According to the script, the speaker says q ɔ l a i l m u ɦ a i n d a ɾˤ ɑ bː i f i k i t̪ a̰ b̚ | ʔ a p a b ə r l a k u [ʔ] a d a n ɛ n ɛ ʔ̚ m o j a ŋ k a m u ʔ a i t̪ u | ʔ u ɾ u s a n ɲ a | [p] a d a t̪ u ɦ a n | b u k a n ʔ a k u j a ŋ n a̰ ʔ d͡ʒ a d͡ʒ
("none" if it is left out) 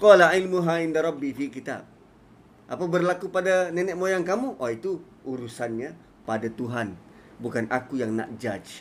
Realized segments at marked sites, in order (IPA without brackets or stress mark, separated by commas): p, p